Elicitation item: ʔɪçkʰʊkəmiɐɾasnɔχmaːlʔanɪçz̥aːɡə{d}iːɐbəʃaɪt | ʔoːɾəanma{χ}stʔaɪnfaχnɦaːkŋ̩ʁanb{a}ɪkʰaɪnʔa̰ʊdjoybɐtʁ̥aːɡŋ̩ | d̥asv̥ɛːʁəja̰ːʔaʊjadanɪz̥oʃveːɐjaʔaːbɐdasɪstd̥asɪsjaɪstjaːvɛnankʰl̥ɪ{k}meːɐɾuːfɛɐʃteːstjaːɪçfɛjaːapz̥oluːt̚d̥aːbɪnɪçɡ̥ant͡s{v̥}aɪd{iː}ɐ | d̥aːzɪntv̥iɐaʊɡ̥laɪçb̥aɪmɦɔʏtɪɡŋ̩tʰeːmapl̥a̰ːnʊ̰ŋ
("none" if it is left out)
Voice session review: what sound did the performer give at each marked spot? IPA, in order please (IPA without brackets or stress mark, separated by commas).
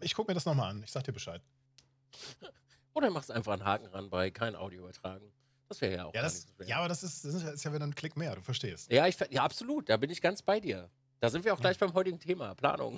d, χ, a, k, b̥, iː